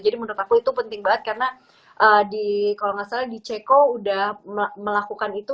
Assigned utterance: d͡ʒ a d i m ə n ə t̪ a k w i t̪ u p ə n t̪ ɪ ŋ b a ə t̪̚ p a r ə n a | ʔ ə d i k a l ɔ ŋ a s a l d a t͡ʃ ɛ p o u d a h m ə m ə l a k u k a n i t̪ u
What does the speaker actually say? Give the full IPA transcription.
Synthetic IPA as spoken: d͡ʒ a d i m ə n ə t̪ a k u i t̪ u p ə n t̪ ɪ ŋ b a ə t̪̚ k a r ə n a | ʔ ə d i k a l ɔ ŋ a s a l d i t͡ʃ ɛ k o u d a h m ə m ə l a k u k a n i t̪ u